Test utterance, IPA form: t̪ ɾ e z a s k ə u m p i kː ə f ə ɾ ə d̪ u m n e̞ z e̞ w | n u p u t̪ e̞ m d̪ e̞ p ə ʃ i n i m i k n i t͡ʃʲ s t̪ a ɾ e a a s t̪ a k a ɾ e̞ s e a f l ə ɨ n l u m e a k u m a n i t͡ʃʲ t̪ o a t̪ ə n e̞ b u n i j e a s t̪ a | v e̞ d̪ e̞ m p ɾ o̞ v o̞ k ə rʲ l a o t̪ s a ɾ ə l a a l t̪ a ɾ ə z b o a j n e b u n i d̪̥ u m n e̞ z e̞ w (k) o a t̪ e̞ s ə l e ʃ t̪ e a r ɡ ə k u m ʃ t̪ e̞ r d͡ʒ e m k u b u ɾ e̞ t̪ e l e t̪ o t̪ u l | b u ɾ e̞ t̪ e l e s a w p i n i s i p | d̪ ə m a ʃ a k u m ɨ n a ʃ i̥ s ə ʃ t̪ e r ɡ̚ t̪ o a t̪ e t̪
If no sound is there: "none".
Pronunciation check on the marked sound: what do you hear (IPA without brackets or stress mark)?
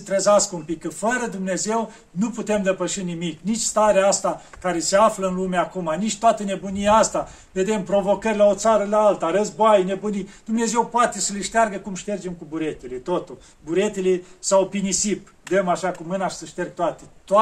p